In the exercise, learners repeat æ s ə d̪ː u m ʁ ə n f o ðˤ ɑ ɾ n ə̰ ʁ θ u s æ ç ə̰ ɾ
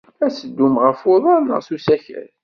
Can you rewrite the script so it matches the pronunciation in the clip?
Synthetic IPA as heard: æ s ə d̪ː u m ʁ ə f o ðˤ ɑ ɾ n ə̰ ʁ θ u s æ ç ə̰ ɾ